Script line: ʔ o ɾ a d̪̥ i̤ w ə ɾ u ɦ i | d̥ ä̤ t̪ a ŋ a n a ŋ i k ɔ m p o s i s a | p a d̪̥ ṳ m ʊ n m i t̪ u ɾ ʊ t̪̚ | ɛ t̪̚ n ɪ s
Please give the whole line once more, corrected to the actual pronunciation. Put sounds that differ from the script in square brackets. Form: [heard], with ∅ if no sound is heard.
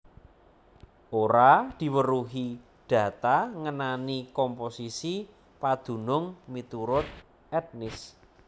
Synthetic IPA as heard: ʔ o ɾ a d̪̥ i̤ w ə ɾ u ɦ i | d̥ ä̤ t̪ a ŋ [ə] n a [n] i k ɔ m p o s i s [i] | p a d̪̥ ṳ [n] ʊ [ŋ] m i t̪ u ɾ ʊ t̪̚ | ɛ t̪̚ n ɪ s

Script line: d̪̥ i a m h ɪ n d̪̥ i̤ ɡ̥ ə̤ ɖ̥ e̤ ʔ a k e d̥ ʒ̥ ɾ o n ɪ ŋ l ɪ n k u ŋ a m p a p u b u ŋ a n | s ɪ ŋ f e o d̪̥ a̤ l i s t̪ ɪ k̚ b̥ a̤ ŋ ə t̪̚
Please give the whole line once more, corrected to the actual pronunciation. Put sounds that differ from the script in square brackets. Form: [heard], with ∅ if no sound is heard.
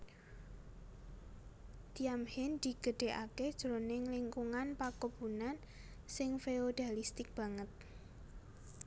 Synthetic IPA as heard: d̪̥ i a m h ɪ n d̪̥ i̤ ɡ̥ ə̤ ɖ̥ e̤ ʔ a k e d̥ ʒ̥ ɾ o n ɪ ŋ l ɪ [ŋ] k u ŋ a [n] p a [k] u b u [n] a n | s ɪ ŋ f e o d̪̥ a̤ l i s t̪ ɪ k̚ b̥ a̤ ŋ ə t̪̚

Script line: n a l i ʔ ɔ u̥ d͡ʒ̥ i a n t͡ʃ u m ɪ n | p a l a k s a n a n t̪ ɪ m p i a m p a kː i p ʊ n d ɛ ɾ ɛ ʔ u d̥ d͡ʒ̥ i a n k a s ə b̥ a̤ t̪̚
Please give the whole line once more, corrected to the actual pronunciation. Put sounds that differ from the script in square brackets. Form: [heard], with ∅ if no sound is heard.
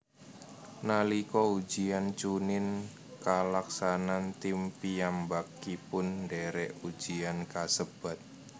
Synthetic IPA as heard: n a l i [k] ɔ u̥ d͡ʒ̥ i a n t͡ʃ u [n] ɪ n | [k] a l a k s a n a n t̪ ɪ m p i a m [b] a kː i p ʊ n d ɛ ɾ ɛ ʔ u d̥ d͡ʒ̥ i a n k a s ə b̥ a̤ t̪̚

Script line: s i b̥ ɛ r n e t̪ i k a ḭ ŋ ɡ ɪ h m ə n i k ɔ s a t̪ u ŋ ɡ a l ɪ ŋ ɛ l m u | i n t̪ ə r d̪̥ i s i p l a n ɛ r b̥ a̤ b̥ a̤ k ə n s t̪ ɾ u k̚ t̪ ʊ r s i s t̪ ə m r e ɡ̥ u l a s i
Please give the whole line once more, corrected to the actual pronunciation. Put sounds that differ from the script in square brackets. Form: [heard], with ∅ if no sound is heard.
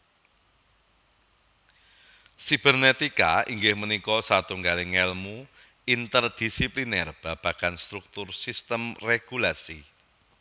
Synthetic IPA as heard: s i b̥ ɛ r n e t̪ i k a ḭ ŋ ɡ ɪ h m ə n i k ɔ s a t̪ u ŋ ɡ a l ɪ ŋ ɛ l m u | i n t̪ ə r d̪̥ i s i p l [i] n ɛ r b̥ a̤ b̥ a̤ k [a] n s t̪ ɾ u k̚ t̪ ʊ r s i s t̪ ə m r e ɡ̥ u l a s i

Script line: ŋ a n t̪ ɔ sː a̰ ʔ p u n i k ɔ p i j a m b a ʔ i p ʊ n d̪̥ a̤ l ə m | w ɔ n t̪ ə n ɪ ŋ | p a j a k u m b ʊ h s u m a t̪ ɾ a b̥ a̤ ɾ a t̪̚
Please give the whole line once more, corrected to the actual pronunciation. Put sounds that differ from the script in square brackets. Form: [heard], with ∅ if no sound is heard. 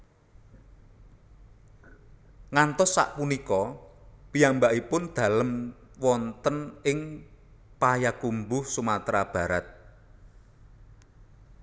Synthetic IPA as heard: ŋ a n t̪ ɔ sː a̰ ʔ p u n i k ɔ p i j a m b a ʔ i p ʊ n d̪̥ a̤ l ə m | w ɔ n t̪ ə n ɪ ŋ | p a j a k u m b ʊ h s u m a t̪ ɾ a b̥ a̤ ɾ a t̪̚

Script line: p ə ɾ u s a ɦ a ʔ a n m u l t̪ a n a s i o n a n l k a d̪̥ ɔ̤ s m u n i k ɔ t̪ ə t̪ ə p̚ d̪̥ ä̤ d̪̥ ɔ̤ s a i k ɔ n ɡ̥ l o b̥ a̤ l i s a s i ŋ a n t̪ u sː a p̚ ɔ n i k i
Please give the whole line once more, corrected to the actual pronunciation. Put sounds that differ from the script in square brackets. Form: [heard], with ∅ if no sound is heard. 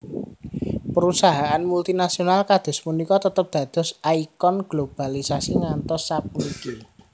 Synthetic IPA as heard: p ə ɾ u s a ɦ a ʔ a n m u l t̪ [i] n a s i o n a [∅] l k a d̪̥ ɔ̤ s m u n i k ɔ t̪ ə t̪ ə p̚ d̪̥ ä̤ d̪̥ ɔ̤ s a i k ɔ n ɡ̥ l o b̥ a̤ l i s a s i ŋ a n t̪ [ɔ] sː a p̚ [u] n i k i

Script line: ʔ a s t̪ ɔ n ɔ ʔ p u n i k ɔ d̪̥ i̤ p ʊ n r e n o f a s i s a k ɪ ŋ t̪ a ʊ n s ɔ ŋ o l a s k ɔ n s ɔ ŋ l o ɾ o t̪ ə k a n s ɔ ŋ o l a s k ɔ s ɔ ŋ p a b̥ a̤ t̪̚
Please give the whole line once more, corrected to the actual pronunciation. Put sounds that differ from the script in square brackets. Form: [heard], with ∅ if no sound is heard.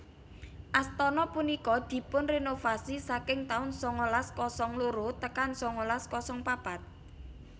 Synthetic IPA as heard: ʔ a s t̪ ɔ n ɔ [∅] p u n i k ɔ d̪̥ i̤ p ʊ n r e n o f a s i s a k ɪ ŋ t̪ a ʊ n s ɔ ŋ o l a s k ɔ [∅] s ɔ ŋ l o ɾ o t̪ ə k a n s ɔ ŋ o l a s k ɔ s ɔ ŋ p a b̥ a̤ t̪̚

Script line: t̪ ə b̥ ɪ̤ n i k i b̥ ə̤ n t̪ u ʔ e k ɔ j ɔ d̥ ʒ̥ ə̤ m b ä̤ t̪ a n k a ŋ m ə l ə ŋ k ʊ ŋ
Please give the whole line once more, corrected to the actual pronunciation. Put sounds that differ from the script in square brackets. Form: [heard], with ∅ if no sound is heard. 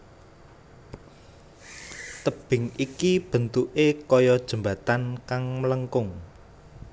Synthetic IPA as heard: t̪ ə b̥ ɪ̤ [ŋ] i k i b̥ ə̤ n t̪ u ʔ e k ɔ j ɔ d̥ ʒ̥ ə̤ m b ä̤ t̪ a n k a ŋ m ə l ə ŋ k ʊ ŋ

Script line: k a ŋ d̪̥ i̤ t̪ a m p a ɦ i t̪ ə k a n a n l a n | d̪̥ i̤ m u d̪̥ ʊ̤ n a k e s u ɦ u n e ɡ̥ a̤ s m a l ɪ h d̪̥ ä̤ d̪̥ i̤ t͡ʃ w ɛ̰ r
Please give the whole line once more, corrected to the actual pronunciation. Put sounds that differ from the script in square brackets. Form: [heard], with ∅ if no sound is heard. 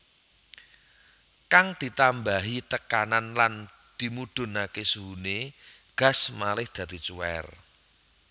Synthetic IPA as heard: k a ŋ d̪̥ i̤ t̪ a m [b] a ɦ i t̪ ə k a n a n l a n | d̪̥ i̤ m u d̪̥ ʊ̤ n a k e s u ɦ u n e ɡ̥ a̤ s m a l ɪ h d̪̥ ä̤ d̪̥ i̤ t͡ʃ [u] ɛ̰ r

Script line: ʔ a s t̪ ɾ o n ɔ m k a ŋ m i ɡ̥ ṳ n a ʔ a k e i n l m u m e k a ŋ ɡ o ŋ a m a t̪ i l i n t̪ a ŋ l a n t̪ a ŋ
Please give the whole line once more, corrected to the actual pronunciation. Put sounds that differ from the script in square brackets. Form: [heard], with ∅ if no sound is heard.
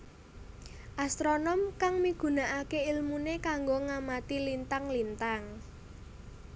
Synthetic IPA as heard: ʔ a s t̪ ɾ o n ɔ m k a ŋ m i ɡ̥ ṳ n a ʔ a k e i [∅] l m u [n] e k a ŋ ɡ o ŋ a m a t̪ i l i n t̪ a ŋ l [i] n t̪ a ŋ

